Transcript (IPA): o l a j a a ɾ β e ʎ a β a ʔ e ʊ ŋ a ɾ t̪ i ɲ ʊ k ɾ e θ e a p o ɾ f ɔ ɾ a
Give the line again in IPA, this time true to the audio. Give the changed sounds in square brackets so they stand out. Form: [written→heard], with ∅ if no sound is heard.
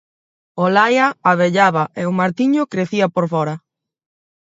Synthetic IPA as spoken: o l a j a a [ɾ→∅] β e ʎ a β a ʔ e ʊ [ŋ→m] a ɾ t̪ i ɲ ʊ k ɾ e θ [e→i] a p o ɾ f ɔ ɾ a